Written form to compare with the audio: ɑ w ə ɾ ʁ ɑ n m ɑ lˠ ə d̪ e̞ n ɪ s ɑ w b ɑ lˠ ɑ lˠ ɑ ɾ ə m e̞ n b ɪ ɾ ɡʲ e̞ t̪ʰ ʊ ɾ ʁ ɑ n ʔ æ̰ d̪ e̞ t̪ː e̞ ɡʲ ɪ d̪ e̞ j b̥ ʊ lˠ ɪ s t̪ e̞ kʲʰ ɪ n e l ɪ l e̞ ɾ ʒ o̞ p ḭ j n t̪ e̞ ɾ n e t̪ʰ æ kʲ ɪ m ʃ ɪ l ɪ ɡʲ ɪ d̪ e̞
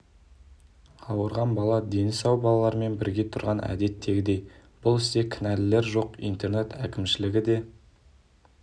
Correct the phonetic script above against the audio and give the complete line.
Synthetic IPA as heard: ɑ w ə ɾ ʁ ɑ n b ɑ lˠ ɑ d̪ e̞ n ɪ s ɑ w b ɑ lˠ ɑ lˠ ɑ ɾ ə m e̞ n b ɪ ɾ ɡʲ e̞ t̪ʰ ʊ ɾ ʁ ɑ n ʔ æ̰ d̪ e̞ t̪ː e̞ ɡʲ ɪ d̪ e̞ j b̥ ʊ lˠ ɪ s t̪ e̞ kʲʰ ɪ n æ l ɪ l e̞ ɾ ʒ o̞ q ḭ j n t̪ e̞ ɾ n e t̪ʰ æ kʲ ɪ m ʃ ɪ l ɪ ɡʲ ɪ d̪ e̞

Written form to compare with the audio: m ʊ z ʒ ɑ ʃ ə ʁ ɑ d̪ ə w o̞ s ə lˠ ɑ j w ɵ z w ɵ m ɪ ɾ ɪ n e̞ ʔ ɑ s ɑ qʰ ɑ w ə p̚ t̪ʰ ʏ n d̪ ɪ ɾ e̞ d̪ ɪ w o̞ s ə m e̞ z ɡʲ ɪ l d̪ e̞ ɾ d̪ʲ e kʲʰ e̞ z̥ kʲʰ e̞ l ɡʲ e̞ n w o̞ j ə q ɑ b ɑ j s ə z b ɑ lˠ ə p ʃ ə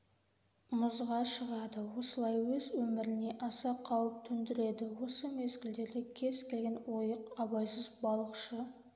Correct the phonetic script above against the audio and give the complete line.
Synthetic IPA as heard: m ʊ z ʁ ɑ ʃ ə ʁ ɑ d̪ ə w o̞ s ə lˠ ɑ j w ɵ z w ɵ m ɪ ɾ ɪ n e̞ ʔ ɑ s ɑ qʰ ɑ w ə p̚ t̪ʰ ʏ n d̪ ɪ ɾ e̞ d̪ ɪ w o̞ s ə m e̞ z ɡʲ ɪ l d̪ e̞ ɾ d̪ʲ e kʲʰ e̞ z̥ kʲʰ e̞ l ɡʲ e̞ n w o̞ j ə q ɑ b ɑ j s ə z b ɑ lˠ ə q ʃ ə

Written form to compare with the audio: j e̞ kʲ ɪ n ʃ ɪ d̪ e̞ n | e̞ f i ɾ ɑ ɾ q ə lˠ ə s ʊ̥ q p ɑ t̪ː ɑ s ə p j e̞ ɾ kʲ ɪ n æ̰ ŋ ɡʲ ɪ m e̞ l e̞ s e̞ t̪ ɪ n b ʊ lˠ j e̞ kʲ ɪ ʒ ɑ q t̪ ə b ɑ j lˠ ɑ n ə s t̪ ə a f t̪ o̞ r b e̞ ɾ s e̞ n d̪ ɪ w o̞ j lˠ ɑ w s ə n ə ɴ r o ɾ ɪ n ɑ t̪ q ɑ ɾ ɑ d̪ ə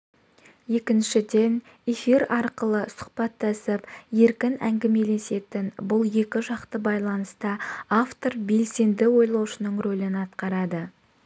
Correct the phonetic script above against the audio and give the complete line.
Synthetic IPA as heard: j e̞ kʲ ɪ n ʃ ɪ d̪ e̞ n | e̞ f i ɾ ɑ ɾ q ə lˠ ə s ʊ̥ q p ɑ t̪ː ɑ s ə p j e̞ ɾ kʲ ɪ n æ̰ ŋ ɡʲ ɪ m e̞ l e̞ s e̞ t̪ ɪ n b ʊ lˠ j e̞ kʲ ɪ ʒ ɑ q t̪ ə b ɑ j lˠ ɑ n ə s t̪ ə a f t̪ o̞ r b e̞ l s e̞ n d̪ ɪ w o̞ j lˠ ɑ w ʃ ə n ə ɴ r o l ɪ n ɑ t̪ q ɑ ɾ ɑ d̪ ə

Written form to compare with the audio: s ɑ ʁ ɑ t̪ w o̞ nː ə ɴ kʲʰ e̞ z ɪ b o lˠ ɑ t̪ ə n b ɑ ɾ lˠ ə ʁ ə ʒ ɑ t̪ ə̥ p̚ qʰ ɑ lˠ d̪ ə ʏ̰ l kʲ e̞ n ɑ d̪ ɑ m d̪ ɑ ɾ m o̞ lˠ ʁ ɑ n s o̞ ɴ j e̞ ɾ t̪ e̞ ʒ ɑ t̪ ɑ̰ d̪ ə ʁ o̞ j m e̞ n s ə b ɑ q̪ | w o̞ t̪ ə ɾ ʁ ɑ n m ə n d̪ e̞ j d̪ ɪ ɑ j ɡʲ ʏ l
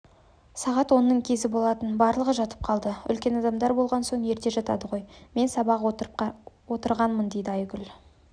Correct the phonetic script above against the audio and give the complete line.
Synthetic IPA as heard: s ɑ ʁ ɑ t̪ w o̞ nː ə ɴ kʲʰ e̞ z ɪ b o lˠ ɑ t̪ ə n b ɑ ɾ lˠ ə ʁ ə ʒ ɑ t̪ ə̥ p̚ qʰ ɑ lˠ d̪ ə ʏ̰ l kʲ e̞ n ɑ d̪ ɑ m d̪ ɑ ɾ b o̞ lˠ ʁ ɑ n s o̞ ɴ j e̞ ɾ t̪ e̞ ʒ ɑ t̪ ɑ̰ d̪ ə ʁ o̞ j m e̞ n s ɑ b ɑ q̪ | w o̞ t̪ ə ɾ ʁ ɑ n m ə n d̪ e̞ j d̪ ɪ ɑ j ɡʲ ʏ l

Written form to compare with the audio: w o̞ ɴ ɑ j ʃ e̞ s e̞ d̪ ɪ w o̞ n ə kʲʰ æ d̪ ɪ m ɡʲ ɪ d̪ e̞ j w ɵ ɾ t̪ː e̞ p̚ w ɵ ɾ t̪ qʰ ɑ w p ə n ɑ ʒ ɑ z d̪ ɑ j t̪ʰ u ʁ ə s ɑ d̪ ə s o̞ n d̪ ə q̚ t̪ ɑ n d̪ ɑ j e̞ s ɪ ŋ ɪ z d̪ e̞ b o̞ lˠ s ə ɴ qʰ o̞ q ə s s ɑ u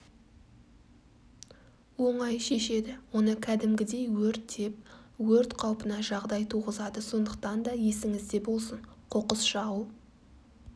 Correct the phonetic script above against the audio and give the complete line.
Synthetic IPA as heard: w o̞ ɴ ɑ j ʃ e̞ ʃ e̞ d̪ ɪ w o̞ n ə kʲʰ æ d̪ ɪ m ɡʲ ɪ d̪ e̞ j w ɵ ɾ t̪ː e̞ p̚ w ɵ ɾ t̪ qʰ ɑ w p ə n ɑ ʒ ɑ ʁ d̪ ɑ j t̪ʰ u ʁ ə z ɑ d̪ ə s o̞ n d̪ ə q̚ t̪ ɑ n d̪ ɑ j e̞ s ɪ ŋ ɪ z d̪ e̞ b o̞ lˠ s ə ɴ qʰ o̞ q ə s ʃ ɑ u

